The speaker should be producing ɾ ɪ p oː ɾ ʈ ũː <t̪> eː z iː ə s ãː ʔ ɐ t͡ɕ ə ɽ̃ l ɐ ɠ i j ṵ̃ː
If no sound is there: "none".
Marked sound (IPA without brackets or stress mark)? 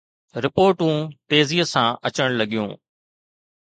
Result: t̪